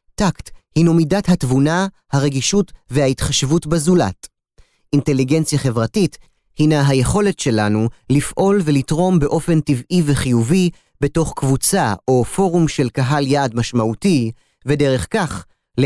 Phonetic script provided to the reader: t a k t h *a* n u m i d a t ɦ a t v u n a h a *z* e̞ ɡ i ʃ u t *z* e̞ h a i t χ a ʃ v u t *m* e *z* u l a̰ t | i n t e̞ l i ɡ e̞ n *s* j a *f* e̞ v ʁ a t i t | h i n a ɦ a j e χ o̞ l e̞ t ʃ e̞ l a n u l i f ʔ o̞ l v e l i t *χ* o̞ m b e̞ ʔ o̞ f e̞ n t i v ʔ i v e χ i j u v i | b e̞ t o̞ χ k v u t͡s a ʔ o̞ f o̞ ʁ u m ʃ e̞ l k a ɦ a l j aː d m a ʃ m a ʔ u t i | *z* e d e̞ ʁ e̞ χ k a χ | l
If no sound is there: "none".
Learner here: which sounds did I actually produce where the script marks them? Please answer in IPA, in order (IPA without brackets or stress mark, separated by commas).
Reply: i, ʁ, v, b, z, t͡s, χ, ʁ, v